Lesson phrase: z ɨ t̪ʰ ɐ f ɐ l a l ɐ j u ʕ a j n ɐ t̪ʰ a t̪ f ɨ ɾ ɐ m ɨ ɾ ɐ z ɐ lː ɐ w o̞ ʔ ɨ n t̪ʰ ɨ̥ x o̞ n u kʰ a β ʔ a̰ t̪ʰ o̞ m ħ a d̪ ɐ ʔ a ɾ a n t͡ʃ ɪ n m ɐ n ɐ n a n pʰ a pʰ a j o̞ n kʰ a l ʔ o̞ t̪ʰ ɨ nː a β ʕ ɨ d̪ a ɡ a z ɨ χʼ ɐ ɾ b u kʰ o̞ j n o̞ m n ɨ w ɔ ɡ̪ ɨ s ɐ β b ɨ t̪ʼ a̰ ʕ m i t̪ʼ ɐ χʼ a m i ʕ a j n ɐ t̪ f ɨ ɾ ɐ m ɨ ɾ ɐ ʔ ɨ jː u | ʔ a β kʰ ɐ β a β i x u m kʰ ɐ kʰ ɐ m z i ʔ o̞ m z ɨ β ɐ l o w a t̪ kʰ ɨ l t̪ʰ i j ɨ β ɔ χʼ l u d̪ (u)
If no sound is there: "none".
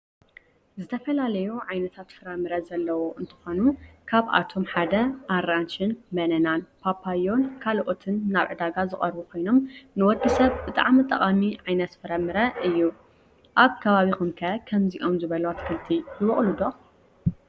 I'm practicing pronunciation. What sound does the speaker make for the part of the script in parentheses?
o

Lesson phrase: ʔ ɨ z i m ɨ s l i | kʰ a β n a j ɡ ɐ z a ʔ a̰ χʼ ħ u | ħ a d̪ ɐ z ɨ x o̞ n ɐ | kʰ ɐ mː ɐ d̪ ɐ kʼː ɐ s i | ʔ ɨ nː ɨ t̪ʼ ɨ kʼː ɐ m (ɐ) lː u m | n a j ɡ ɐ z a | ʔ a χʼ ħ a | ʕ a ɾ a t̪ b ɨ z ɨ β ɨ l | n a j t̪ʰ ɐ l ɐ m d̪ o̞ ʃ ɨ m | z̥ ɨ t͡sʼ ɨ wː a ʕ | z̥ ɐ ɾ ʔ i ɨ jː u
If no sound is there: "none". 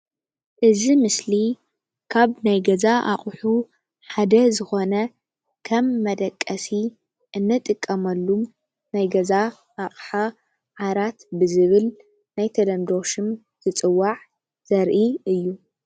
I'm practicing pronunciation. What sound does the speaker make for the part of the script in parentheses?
ɐ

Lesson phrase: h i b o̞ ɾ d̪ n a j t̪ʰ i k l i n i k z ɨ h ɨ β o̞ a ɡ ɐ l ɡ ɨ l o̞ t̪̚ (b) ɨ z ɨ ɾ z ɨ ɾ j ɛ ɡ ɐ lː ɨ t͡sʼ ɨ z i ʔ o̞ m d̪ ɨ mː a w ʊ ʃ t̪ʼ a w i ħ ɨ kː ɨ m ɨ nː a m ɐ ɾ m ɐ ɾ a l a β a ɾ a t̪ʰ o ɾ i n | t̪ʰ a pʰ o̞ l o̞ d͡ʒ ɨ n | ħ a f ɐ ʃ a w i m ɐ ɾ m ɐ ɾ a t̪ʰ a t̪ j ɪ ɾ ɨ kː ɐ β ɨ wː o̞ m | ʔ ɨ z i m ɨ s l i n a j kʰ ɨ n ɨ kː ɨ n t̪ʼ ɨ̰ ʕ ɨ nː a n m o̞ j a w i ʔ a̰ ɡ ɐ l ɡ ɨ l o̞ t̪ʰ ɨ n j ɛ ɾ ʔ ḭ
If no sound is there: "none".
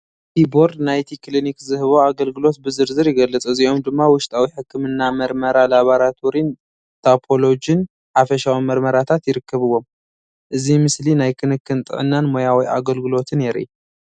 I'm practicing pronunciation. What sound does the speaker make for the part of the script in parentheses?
b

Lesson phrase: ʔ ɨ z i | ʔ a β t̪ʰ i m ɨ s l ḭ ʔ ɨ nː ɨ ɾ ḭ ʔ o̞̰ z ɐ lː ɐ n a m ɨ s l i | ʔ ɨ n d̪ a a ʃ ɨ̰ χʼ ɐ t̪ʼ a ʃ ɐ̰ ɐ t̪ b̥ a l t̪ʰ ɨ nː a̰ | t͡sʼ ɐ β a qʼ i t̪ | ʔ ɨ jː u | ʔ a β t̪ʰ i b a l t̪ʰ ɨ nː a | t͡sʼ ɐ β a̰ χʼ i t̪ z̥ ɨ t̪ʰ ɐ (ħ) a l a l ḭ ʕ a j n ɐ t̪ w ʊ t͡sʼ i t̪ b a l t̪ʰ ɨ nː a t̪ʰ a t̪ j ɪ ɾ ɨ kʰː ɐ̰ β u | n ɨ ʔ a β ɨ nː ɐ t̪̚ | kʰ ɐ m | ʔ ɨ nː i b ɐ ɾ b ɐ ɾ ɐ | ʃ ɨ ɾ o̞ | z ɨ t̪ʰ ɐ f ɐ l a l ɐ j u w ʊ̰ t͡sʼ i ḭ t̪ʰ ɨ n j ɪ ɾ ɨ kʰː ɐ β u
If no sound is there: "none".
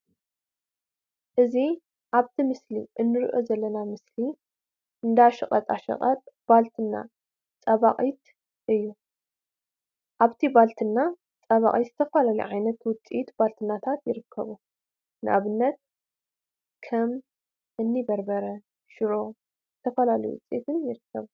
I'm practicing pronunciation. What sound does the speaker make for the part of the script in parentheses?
f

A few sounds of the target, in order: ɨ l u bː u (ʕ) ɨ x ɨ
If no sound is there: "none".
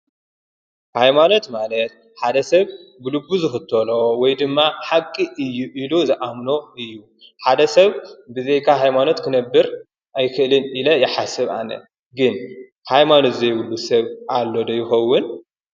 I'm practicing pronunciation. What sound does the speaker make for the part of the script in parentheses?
z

